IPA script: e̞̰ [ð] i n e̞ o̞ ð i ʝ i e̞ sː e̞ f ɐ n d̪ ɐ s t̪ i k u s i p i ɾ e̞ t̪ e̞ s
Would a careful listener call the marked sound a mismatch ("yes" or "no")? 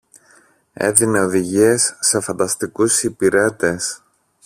no